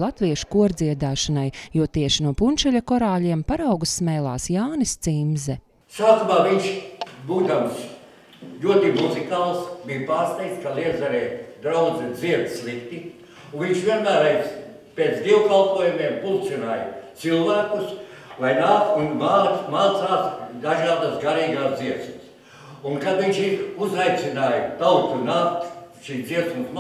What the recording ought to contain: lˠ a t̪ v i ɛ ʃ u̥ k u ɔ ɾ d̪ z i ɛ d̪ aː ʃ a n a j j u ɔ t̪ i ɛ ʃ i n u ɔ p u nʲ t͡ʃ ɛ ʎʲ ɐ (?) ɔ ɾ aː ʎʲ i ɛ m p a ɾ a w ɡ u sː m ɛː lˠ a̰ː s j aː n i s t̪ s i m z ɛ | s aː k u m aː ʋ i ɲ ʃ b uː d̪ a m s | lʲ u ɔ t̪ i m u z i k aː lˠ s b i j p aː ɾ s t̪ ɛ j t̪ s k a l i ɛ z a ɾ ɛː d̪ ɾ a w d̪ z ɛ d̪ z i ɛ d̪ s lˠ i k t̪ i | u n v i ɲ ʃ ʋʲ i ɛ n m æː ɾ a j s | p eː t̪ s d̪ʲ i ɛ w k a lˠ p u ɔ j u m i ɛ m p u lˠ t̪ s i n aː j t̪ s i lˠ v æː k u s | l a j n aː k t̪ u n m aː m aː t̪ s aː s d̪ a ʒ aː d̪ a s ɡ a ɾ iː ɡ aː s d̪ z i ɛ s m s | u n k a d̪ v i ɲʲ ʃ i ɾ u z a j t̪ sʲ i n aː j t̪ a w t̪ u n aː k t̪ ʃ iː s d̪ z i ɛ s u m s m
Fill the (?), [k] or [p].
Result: k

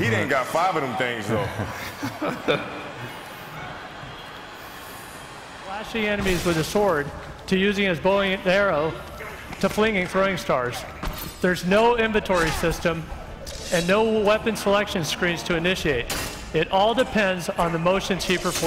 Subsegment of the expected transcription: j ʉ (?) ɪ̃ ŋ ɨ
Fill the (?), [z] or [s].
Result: z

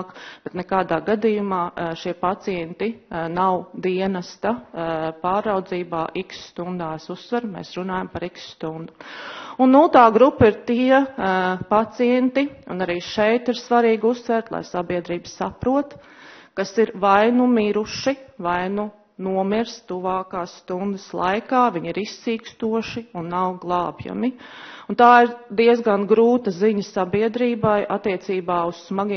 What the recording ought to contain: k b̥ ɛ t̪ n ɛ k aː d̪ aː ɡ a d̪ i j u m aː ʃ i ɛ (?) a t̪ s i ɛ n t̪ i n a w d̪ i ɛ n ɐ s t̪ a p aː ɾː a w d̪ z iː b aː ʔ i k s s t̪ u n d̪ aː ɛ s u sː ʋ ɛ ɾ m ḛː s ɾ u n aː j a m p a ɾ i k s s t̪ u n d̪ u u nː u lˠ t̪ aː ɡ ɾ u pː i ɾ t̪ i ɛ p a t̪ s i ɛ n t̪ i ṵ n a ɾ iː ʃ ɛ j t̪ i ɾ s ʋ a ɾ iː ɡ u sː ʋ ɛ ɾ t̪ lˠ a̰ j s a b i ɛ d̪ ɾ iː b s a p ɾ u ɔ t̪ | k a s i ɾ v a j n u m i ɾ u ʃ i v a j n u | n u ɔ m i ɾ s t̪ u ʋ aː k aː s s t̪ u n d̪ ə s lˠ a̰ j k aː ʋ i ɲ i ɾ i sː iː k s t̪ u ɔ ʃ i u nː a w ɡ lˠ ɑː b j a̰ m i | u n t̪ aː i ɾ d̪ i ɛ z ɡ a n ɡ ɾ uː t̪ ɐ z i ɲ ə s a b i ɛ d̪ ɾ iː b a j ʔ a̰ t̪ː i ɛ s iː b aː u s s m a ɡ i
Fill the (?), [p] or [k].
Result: p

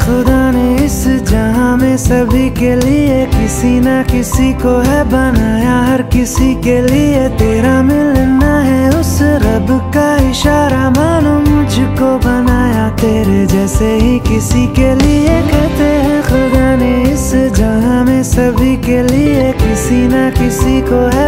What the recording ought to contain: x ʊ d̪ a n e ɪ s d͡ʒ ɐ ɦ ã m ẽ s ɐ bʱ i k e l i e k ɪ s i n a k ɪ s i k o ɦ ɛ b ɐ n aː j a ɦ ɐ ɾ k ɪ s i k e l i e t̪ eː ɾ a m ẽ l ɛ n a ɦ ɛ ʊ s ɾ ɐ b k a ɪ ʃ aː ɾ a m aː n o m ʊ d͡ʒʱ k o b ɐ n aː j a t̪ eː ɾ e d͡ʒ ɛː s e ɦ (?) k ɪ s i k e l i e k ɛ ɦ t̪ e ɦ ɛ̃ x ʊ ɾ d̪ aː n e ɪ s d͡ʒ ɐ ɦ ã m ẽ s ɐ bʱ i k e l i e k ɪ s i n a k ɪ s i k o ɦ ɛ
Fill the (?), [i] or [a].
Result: i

